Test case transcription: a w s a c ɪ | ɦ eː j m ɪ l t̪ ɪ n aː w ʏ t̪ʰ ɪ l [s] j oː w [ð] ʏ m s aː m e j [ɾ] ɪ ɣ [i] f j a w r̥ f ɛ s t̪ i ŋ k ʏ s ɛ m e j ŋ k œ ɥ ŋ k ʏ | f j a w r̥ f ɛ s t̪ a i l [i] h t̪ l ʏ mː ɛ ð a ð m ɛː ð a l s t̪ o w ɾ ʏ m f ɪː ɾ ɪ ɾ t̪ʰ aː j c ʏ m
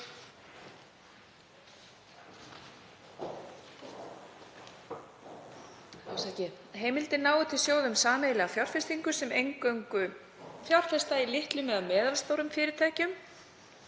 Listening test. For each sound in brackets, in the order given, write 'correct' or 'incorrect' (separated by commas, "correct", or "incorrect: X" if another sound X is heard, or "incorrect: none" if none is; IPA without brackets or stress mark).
correct, correct, incorrect: l, incorrect: a, incorrect: ɪ